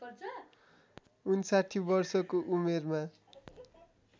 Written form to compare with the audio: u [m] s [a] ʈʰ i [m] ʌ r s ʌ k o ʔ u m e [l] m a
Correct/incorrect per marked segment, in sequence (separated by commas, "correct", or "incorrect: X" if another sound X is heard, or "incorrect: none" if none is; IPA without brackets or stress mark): incorrect: n, correct, incorrect: b, incorrect: r